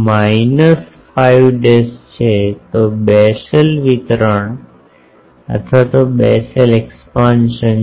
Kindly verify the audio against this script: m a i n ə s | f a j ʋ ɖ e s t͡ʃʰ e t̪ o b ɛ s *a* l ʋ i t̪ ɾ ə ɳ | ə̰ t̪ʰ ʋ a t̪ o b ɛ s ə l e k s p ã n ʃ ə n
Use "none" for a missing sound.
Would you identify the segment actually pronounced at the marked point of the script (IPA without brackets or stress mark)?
ə